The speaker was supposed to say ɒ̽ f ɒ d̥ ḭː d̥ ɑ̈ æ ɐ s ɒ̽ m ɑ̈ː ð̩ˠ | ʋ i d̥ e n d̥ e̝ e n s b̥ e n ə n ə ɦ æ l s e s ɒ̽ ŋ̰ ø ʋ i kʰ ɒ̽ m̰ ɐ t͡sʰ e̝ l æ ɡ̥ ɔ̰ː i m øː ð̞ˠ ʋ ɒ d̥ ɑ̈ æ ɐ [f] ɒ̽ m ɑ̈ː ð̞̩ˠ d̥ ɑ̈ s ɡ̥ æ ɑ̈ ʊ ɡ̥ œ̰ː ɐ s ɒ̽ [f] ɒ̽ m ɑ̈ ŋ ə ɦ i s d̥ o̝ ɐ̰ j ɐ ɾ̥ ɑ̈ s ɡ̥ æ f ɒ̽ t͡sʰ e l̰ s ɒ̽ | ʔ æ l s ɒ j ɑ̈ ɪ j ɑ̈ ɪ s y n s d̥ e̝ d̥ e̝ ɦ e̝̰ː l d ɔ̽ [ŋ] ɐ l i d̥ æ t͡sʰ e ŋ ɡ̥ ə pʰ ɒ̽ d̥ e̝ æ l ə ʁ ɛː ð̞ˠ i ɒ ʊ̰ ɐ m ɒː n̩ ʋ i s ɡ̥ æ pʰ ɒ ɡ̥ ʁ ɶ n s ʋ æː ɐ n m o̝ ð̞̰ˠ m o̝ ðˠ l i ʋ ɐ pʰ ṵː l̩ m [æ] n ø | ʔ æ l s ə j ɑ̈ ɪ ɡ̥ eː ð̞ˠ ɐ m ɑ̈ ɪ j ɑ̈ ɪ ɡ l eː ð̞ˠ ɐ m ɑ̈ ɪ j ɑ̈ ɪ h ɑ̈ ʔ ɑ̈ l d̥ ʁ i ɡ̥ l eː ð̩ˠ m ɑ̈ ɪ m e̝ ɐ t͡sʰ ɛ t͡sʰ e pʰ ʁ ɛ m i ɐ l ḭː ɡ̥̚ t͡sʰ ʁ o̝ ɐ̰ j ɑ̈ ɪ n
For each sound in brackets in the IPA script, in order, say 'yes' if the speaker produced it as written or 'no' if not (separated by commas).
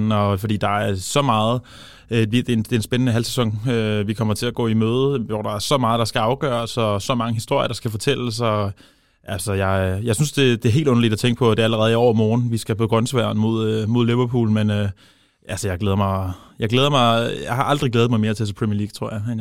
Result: no, no, no, no